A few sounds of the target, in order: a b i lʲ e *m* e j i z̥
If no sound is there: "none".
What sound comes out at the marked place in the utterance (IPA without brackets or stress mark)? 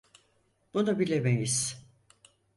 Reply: m